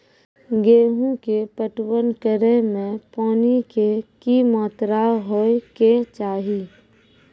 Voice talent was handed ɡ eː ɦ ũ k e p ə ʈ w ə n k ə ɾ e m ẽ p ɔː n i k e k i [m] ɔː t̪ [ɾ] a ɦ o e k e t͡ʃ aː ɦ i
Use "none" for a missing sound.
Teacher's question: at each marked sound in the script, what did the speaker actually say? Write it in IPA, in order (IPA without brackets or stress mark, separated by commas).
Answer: m, ɾ